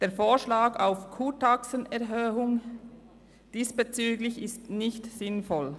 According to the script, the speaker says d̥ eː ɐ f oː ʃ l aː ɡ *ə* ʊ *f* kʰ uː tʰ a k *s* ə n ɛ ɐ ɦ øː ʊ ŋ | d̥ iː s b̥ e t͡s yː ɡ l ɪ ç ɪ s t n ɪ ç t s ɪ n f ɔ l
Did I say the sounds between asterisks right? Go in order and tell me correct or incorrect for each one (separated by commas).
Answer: incorrect, correct, correct